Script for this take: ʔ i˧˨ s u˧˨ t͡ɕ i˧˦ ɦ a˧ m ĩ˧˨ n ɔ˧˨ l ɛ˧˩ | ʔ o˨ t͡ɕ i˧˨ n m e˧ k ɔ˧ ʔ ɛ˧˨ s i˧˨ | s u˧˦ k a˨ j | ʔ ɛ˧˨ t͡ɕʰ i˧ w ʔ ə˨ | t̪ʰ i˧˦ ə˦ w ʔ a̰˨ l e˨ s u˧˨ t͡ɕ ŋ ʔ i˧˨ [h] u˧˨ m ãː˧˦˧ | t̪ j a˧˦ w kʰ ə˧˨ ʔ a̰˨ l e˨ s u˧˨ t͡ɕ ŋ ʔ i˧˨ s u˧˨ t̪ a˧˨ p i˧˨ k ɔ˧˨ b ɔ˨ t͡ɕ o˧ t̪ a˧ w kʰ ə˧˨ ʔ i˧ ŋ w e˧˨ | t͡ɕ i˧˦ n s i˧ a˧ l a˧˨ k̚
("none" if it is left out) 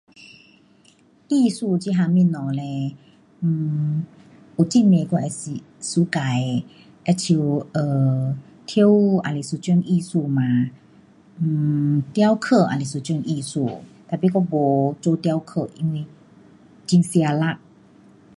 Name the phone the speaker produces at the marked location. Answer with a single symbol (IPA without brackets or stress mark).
s